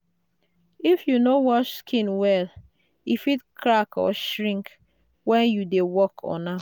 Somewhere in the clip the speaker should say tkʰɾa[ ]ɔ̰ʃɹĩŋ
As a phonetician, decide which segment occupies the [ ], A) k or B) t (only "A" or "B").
A